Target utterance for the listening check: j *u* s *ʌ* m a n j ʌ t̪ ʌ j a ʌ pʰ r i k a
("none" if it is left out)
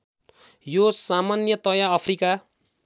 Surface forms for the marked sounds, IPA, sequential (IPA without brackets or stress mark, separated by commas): o, a